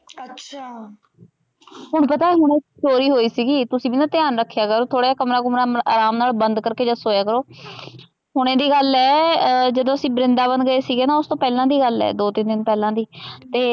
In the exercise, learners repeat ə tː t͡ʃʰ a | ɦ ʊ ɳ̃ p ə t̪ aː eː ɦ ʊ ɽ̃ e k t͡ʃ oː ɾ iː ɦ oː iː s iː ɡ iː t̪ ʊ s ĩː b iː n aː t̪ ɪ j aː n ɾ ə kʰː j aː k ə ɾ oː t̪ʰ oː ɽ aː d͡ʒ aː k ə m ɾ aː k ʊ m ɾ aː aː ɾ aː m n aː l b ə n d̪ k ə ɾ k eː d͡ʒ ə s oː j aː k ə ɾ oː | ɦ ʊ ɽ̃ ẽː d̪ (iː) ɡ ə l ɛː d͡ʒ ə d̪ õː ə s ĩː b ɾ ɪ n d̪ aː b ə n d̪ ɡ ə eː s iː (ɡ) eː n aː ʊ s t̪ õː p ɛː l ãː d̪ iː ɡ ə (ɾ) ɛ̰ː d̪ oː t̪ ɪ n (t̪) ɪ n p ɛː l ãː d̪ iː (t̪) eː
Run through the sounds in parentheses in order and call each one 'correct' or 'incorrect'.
correct, correct, incorrect: l, incorrect: d̪, correct

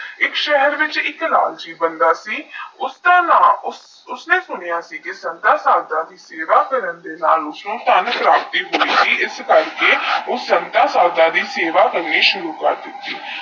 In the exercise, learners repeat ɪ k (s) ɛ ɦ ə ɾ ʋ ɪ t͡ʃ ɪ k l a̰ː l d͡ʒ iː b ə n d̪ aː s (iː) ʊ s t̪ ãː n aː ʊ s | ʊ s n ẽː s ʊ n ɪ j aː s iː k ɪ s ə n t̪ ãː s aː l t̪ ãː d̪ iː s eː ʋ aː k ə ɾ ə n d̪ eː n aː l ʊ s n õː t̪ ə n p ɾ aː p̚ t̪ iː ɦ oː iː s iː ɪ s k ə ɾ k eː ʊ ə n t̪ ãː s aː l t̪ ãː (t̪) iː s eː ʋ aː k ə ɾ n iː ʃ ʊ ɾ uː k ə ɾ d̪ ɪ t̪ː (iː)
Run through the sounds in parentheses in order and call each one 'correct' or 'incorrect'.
incorrect: ʃ, correct, incorrect: d̪, correct

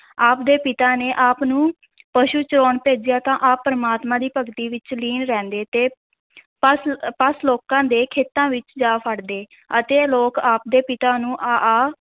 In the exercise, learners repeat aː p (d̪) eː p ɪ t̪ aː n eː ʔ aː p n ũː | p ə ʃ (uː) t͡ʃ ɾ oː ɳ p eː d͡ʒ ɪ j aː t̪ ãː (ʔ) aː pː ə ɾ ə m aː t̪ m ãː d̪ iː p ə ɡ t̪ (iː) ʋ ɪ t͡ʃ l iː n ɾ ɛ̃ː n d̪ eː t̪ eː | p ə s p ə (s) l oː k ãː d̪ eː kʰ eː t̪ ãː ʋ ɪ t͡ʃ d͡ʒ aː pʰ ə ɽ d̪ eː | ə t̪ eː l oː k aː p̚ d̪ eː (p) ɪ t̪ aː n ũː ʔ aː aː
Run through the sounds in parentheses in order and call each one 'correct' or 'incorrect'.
correct, correct, correct, correct, correct, correct

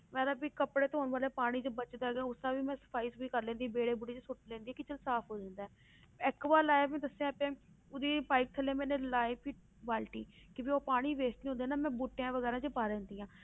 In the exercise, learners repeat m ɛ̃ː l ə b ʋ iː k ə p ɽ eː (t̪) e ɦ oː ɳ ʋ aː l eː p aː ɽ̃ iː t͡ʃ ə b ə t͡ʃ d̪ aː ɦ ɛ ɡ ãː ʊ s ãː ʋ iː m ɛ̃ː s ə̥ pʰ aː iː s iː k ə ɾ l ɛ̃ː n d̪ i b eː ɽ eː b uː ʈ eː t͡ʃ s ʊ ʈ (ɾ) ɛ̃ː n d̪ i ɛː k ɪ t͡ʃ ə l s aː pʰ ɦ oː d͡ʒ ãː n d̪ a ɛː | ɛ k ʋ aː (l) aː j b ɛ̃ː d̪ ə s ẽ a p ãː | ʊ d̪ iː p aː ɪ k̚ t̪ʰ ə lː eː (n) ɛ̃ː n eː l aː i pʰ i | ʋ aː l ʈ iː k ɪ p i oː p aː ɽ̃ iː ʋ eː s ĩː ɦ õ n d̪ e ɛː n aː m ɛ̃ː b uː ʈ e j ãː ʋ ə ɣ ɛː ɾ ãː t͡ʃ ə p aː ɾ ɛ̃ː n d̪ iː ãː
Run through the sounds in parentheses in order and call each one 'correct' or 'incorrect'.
correct, incorrect: l, correct, incorrect: m

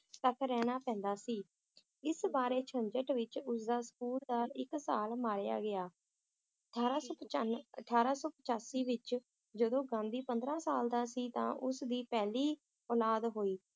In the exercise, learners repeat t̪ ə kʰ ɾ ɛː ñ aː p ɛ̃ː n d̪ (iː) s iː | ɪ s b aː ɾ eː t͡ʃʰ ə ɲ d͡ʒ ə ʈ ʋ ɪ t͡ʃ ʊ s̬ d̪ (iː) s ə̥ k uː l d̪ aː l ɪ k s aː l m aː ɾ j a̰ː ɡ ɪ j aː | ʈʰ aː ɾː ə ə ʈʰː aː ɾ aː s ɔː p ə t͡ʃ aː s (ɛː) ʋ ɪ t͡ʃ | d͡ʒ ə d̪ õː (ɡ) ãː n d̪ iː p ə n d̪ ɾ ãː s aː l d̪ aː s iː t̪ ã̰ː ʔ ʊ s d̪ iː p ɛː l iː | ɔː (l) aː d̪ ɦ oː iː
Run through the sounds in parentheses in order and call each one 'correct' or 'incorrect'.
incorrect: aː, incorrect: aː, incorrect: iː, correct, correct

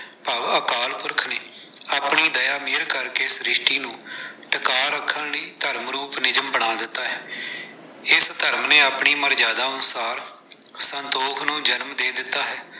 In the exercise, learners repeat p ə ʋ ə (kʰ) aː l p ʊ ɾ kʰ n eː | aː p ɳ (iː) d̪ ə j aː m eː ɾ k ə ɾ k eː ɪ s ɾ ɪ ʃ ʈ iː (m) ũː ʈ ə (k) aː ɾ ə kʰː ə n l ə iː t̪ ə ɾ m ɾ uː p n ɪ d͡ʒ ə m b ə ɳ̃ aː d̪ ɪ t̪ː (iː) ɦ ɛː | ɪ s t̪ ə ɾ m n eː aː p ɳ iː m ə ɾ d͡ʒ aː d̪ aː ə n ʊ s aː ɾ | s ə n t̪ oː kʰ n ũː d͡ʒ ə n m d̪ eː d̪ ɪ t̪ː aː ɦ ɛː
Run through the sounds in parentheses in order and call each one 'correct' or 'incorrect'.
incorrect: k, correct, incorrect: n, correct, incorrect: aː

